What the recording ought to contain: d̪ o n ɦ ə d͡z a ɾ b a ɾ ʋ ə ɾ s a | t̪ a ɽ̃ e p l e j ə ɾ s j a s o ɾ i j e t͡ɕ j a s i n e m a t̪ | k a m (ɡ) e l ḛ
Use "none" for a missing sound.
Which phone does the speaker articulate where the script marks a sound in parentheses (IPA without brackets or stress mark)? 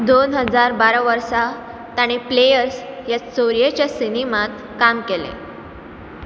k